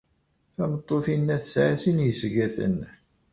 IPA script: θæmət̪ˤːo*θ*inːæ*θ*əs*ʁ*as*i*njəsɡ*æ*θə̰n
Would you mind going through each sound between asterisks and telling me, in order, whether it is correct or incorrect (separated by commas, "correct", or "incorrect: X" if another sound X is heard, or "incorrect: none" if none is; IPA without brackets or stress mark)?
correct, correct, incorrect: ʕ, correct, correct